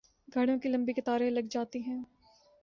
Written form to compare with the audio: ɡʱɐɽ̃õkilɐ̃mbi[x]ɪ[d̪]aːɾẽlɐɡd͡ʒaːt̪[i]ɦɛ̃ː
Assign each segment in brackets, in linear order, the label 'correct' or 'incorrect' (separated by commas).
incorrect, incorrect, correct